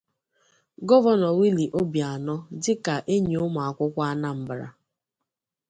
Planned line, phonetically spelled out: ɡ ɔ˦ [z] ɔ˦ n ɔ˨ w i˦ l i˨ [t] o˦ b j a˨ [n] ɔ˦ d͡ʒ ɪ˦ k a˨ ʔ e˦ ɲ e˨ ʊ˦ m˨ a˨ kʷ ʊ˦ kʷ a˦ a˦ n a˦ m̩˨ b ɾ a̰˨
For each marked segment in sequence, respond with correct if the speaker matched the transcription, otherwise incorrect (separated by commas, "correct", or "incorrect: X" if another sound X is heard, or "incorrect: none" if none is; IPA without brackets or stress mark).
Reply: incorrect: v, incorrect: ʔ, correct